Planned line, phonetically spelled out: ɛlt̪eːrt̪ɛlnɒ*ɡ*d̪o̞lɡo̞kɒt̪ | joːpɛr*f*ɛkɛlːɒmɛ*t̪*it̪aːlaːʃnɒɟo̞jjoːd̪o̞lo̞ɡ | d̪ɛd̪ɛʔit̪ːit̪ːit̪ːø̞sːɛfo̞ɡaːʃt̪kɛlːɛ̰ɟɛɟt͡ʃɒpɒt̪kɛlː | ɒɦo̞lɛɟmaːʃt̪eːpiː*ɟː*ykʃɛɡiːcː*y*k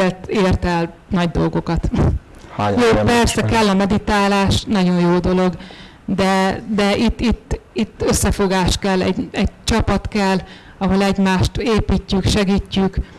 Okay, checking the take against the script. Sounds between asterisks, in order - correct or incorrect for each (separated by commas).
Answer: incorrect, incorrect, incorrect, incorrect, correct